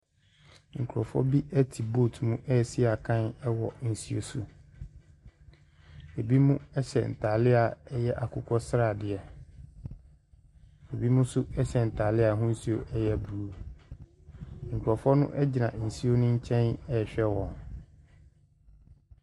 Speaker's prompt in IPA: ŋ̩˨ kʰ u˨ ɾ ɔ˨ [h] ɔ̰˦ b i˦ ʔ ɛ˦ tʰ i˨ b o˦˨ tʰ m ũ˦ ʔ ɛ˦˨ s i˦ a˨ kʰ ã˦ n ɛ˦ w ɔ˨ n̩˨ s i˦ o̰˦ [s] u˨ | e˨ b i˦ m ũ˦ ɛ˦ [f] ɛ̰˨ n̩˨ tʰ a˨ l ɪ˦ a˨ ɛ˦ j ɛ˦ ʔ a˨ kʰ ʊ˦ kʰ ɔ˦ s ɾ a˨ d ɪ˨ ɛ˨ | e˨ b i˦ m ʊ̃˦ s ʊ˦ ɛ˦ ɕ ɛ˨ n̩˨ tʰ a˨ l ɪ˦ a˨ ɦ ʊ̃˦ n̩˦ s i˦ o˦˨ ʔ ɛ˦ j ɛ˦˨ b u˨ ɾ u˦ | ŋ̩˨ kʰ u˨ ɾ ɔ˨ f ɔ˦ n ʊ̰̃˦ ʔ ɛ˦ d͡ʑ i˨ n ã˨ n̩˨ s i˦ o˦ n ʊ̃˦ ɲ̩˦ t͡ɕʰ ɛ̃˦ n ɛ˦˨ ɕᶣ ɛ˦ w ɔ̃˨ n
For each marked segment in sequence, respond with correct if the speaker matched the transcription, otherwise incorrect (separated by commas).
incorrect, correct, incorrect